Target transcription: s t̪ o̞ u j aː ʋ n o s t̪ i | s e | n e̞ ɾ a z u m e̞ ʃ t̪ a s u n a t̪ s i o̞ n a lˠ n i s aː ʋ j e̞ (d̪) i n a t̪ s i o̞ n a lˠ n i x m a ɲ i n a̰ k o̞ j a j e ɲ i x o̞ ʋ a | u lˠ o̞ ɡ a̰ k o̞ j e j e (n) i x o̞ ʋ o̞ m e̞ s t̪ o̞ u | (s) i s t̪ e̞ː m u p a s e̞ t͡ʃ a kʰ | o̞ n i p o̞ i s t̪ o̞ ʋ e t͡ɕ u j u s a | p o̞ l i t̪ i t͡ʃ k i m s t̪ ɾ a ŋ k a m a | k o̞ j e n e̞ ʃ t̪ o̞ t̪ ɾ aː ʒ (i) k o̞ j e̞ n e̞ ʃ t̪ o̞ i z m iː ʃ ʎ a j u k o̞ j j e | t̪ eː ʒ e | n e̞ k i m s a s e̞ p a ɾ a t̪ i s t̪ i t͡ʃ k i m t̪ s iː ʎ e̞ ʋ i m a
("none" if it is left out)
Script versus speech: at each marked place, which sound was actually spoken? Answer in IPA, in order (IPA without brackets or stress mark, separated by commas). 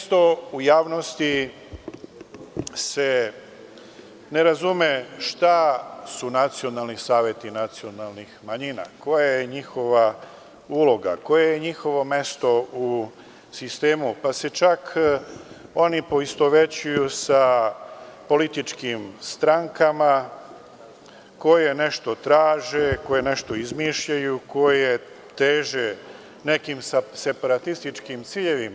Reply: t̪, ɲ, s, e